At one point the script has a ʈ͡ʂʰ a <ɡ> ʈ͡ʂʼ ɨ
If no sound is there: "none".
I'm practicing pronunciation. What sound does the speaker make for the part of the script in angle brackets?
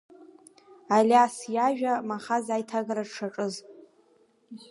none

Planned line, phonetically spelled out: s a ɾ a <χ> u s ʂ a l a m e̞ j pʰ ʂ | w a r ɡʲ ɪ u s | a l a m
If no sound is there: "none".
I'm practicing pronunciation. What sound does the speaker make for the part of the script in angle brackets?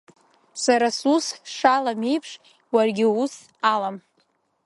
s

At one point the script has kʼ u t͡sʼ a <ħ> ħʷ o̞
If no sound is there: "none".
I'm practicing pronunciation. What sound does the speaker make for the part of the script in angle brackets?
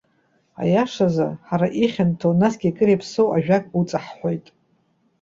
ħ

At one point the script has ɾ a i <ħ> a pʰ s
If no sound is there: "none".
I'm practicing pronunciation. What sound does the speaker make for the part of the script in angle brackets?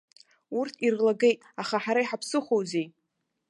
ħ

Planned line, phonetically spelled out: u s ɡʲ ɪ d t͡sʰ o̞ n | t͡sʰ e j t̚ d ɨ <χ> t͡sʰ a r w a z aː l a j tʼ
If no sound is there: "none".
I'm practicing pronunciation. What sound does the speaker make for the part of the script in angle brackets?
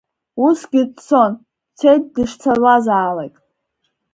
ʂ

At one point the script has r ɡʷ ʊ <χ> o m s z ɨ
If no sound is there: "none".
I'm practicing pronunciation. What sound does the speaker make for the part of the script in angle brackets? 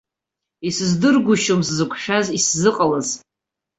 ʃ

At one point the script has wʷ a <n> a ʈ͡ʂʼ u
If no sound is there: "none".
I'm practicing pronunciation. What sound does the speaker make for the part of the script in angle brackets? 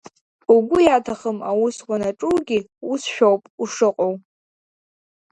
n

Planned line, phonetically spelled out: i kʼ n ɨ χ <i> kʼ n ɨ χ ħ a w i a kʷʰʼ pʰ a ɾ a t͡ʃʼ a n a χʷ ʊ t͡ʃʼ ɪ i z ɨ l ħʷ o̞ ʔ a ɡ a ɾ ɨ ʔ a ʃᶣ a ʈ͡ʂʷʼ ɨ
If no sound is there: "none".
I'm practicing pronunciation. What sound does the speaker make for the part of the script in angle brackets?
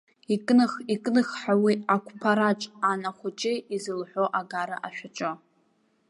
i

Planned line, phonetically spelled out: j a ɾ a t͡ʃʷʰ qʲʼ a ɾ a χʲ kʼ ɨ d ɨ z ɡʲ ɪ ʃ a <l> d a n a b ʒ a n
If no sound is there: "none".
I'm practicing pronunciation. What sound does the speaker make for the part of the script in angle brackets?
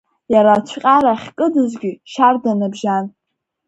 r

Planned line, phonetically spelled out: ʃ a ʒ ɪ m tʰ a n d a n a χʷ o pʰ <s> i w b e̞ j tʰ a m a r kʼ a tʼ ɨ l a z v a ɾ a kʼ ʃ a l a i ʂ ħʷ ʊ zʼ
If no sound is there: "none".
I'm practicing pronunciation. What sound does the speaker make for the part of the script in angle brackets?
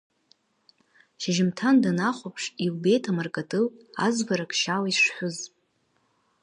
ʂ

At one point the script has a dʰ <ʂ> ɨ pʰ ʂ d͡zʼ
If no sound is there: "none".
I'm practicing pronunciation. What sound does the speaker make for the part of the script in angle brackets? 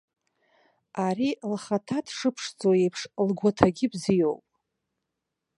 ʂ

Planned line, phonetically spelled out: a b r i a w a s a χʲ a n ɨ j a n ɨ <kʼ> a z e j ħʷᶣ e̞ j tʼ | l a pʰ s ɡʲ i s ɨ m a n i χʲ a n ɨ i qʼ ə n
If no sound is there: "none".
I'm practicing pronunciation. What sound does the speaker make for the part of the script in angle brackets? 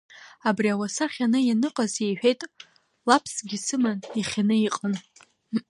qʼ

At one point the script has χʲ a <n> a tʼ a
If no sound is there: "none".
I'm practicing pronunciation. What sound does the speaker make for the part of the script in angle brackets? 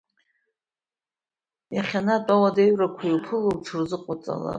n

